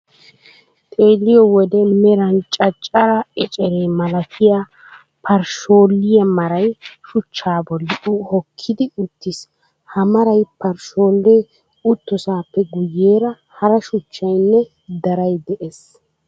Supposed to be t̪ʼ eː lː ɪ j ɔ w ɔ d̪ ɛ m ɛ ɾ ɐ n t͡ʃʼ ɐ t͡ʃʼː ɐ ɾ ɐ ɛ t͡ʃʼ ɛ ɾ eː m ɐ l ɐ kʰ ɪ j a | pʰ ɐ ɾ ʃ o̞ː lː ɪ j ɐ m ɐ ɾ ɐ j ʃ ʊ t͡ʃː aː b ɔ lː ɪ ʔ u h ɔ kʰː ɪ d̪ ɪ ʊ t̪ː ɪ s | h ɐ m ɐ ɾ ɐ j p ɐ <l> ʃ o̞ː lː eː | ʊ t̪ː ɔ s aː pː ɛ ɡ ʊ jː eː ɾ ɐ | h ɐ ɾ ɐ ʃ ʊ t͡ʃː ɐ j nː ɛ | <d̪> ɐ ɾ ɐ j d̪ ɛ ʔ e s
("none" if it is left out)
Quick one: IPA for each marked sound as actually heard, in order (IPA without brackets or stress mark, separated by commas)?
ɾ, d̪